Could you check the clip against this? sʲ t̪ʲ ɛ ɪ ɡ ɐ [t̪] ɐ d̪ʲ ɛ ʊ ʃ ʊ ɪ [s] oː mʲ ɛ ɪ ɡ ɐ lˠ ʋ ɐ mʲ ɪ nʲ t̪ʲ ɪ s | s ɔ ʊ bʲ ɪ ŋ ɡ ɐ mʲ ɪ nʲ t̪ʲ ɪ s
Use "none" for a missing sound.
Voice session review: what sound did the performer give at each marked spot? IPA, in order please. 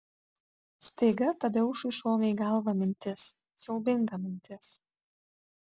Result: t̪, ʃ

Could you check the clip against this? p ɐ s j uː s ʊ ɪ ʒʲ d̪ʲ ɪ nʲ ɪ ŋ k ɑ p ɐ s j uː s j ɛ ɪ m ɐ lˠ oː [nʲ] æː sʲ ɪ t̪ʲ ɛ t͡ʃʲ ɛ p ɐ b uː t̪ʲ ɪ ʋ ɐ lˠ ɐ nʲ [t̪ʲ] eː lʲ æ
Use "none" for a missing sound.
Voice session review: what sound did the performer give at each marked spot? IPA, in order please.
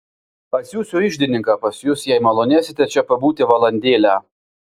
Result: nʲ, d̪ʲ

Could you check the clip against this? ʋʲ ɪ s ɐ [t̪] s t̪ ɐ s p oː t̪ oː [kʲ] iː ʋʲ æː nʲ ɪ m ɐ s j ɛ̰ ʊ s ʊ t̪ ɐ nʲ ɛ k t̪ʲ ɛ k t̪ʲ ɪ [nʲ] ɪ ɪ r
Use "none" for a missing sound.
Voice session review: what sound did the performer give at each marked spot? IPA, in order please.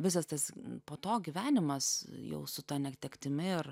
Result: none, ɡʲ, mʲ

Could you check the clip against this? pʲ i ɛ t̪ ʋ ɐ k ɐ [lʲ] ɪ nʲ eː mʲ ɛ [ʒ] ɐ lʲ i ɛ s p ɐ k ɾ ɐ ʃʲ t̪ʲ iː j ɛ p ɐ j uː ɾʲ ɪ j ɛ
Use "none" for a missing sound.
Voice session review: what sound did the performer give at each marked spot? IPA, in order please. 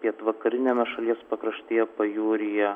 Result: ɾʲ, ʃ

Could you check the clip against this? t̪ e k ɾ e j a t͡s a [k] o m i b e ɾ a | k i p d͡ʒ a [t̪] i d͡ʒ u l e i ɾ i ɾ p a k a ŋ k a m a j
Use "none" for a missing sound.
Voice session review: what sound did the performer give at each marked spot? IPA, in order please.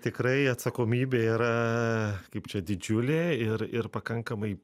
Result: k, d̪

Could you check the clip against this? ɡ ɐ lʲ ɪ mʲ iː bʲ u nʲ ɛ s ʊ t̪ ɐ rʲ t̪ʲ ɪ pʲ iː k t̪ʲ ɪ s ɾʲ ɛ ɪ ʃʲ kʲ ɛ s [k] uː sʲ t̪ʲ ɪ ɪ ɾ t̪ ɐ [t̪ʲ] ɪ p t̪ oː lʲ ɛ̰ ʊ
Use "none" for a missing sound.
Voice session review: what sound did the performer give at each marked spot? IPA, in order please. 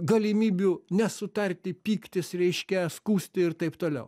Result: k, none

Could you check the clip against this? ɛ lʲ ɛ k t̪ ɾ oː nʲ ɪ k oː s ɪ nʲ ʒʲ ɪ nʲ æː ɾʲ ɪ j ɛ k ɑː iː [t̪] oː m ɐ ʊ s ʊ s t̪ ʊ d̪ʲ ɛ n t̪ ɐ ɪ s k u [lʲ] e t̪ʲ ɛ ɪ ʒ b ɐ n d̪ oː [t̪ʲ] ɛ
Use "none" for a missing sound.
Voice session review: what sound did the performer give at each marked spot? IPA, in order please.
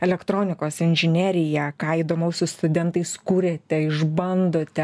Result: d̪, ɾʲ, t̪ʲ

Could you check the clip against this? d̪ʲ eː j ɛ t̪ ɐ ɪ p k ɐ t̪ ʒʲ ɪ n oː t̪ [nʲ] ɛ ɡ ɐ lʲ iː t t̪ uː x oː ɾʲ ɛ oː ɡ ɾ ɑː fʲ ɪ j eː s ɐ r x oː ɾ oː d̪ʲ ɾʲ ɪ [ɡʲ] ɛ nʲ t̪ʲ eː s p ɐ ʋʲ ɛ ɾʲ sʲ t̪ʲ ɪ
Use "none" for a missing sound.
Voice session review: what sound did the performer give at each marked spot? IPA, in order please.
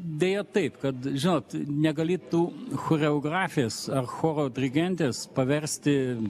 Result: nʲ, ɡʲ

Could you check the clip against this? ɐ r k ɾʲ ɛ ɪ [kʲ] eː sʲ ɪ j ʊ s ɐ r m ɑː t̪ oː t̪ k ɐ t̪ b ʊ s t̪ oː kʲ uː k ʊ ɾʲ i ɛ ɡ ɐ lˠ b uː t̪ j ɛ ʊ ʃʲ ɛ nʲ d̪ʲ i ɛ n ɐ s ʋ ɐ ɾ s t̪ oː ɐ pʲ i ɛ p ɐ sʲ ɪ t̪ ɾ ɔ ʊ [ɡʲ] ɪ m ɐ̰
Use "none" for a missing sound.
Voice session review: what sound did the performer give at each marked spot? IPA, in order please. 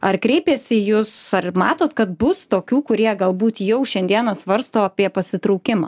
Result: pʲ, kʲ

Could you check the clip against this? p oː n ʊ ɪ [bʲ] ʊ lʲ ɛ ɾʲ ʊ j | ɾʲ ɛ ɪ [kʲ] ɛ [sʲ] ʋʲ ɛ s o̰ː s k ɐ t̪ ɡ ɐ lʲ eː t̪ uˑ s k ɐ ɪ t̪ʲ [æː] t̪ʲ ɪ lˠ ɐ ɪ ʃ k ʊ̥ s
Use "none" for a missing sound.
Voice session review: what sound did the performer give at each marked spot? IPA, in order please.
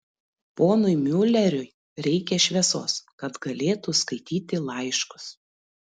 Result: mʲ, kʲ, ʃʲ, iː

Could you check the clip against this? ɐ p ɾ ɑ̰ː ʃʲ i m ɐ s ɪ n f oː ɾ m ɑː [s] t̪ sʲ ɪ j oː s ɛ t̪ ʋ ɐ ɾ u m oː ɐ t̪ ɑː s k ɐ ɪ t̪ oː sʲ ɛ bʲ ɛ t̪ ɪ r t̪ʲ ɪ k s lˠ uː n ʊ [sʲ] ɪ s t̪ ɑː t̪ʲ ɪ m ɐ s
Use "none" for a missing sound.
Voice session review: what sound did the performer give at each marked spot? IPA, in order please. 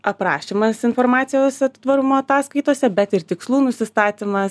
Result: none, sʲ

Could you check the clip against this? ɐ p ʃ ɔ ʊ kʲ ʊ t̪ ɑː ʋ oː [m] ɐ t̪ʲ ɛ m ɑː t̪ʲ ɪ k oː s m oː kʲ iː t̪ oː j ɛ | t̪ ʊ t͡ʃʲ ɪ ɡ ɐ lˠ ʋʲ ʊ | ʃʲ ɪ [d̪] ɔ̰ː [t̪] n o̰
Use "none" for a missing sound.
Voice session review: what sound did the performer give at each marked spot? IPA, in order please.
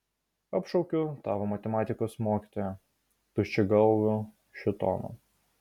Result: m, t̪, none

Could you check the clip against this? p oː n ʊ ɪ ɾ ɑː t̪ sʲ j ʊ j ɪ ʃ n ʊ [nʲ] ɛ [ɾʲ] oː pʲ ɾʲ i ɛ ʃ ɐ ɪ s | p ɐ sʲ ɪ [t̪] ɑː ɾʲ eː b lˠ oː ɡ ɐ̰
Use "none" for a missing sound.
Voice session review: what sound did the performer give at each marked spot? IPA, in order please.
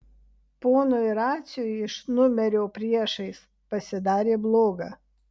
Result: mʲ, ɾʲ, d̪

